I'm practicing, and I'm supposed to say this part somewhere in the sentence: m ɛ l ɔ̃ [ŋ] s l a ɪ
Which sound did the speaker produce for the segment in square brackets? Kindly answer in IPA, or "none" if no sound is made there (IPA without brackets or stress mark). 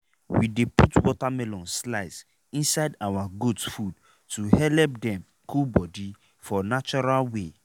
n